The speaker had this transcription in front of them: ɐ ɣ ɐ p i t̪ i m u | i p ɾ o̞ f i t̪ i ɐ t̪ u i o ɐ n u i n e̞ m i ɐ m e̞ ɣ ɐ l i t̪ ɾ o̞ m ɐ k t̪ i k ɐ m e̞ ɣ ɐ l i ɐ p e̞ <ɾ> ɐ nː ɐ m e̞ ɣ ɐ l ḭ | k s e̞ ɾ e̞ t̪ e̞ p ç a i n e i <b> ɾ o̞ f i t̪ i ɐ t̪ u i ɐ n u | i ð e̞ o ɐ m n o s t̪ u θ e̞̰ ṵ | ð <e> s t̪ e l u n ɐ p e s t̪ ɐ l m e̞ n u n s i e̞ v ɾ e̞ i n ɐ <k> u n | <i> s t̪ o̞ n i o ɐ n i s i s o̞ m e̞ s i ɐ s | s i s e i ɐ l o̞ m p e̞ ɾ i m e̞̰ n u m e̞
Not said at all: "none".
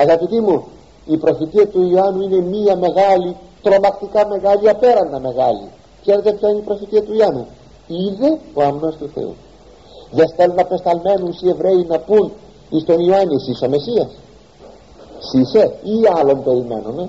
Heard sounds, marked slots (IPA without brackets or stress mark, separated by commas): ɾ, p, e, p, i